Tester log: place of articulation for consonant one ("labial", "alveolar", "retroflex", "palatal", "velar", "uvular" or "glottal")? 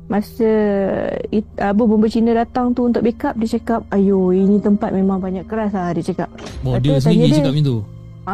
labial